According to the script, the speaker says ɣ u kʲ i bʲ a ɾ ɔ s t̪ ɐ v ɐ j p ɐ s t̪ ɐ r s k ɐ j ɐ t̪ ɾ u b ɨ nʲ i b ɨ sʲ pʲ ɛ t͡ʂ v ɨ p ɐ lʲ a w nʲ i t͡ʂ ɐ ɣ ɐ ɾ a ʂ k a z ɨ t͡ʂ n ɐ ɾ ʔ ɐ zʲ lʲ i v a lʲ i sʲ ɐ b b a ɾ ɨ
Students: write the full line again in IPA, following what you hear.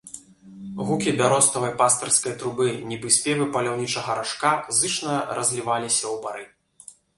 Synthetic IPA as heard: ɣ u kʲ i bʲ a ɾ ɔ s t̪ ɐ v ɐ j p a s t̪ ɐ r s k ɐ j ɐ t̪ ɾ u b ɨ nʲ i b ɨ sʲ pʲ ɛ v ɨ p ɐ lʲ a w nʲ i t͡ʂ ɐ ɣ ɐ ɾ a ʂ k a z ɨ t͡ʂ n ɐ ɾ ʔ ɐ zʲ lʲ i v a lʲ i sʲ ɐ w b a ɾ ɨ